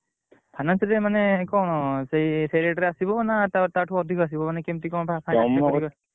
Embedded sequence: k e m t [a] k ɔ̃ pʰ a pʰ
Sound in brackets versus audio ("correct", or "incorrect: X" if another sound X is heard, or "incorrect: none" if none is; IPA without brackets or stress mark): incorrect: i